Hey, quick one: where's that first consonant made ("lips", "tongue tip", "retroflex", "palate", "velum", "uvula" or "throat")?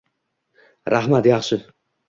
tongue tip